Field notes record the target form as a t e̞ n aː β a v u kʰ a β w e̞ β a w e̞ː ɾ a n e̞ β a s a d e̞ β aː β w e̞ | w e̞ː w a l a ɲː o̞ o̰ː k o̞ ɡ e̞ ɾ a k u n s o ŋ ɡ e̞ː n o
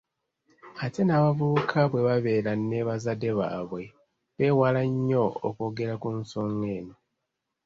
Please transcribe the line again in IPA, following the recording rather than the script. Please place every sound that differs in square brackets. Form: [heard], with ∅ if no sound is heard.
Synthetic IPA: a t e̞ n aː β a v u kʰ a β w e̞ β a [β] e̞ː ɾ a n e̞ β a [z] a d e̞ β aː β w e̞ | [β] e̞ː w a l a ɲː o̞ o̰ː k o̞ ɡ e̞ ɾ a k u n s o ŋ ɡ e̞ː n o